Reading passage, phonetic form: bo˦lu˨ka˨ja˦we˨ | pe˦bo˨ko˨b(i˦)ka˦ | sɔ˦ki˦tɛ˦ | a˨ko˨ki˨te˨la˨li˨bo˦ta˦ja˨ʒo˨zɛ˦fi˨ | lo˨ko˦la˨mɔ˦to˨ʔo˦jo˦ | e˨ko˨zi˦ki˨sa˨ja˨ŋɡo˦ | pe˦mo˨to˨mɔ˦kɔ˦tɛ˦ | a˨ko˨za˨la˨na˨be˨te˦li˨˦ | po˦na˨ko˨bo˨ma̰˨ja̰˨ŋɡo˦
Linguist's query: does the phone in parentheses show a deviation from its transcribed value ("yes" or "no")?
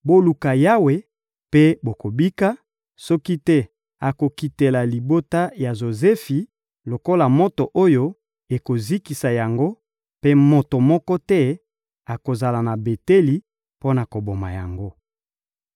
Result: no